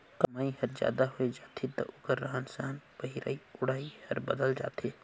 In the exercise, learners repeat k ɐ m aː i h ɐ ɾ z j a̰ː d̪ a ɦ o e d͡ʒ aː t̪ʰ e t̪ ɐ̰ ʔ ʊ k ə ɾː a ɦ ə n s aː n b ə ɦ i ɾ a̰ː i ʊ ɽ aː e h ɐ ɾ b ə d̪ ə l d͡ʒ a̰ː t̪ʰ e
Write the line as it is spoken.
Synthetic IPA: k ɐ m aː i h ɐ ɾ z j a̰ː d̪ a ɦ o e d͡ʒ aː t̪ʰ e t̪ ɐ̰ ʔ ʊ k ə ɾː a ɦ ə n s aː n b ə ɦ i ɾ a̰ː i ʊ ɽ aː i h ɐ ɾ b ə d̪ ə l d͡ʒ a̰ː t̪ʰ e